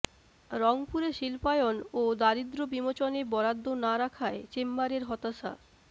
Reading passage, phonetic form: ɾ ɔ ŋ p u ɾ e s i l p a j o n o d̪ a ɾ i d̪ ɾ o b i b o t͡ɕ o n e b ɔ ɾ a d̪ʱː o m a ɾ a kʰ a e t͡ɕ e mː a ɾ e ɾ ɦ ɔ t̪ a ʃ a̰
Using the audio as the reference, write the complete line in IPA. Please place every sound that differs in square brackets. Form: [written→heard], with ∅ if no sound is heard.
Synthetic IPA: ɾ ɔ ŋ p u ɾ e [s→ʃ] i l p a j o n o d̪ a ɾ i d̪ ɾ o b i [b→m] o t͡ɕ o n e b ɔ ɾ a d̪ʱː o [m→n] a ɾ a kʰ a e t͡ɕ e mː a ɾ e ɾ ɦ ɔ t̪ a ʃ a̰